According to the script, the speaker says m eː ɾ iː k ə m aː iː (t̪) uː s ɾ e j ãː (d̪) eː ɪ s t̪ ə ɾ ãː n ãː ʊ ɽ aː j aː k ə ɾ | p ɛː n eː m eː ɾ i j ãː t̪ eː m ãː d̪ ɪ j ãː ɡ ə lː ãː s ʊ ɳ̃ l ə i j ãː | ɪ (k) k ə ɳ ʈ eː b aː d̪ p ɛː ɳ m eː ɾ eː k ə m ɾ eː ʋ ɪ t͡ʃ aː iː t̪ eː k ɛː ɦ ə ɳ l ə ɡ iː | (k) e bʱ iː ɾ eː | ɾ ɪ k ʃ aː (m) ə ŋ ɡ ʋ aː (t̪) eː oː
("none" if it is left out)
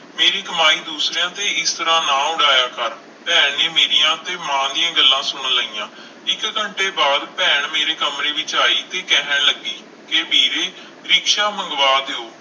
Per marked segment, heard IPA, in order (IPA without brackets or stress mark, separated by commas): d̪, t̪, k, k, m, d̪